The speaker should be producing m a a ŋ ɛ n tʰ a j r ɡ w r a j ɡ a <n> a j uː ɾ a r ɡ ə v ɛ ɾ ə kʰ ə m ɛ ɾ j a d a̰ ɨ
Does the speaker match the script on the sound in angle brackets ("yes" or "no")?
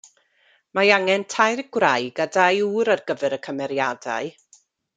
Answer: no